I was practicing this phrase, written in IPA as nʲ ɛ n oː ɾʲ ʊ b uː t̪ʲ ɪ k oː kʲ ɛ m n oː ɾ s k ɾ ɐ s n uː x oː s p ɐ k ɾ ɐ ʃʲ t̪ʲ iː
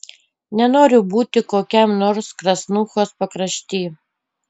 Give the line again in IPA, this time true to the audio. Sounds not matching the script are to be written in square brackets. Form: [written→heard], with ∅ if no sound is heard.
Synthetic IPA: nʲ ɛ n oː ɾʲ ʊ b uː t̪ʲ ɪ k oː kʲ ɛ m n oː ɾ s k ɾ ɐ s n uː x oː s p ɐ k ɾ ɐ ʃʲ t̪ʲ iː